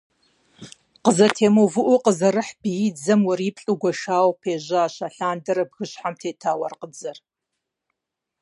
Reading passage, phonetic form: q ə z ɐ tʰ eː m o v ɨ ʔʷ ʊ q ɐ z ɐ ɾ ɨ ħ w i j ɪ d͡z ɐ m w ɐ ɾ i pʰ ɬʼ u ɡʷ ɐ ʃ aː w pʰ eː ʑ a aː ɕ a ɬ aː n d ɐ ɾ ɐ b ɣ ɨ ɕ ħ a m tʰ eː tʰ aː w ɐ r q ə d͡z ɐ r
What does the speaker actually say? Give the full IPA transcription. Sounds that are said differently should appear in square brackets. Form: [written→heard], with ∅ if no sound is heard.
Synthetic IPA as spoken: q ə z ɐ tʰ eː m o v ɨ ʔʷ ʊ q [ɐ→ə] z ɐ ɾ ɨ ħ [w→b] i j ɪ d͡z ɐ m w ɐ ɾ i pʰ ɬʼ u ɡʷ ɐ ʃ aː w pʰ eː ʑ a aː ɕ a ɬ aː n d ɐ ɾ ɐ b ɣ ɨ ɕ ħ a m tʰ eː tʰ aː w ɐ r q ə d͡z ɐ r